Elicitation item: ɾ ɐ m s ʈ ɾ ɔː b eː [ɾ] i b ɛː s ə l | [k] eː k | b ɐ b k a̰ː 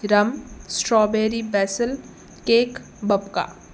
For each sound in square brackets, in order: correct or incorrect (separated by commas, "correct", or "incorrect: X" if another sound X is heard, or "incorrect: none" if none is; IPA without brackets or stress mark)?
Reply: correct, correct